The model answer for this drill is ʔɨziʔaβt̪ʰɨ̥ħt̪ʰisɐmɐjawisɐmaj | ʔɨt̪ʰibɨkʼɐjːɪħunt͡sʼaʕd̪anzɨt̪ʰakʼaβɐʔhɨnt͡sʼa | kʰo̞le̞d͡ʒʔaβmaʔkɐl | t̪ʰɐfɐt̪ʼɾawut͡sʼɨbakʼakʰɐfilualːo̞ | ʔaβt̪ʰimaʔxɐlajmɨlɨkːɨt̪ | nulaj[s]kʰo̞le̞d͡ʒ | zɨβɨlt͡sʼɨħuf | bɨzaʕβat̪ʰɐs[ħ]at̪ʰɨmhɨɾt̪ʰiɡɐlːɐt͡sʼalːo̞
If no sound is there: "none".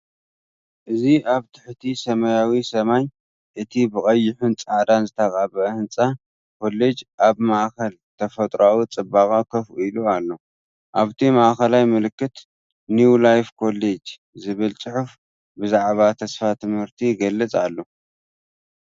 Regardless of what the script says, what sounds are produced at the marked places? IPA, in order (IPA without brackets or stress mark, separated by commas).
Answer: f, f